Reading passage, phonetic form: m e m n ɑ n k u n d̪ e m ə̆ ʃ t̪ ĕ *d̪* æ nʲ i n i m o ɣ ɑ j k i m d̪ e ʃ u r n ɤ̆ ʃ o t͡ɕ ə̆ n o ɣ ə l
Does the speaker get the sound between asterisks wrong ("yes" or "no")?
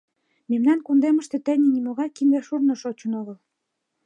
yes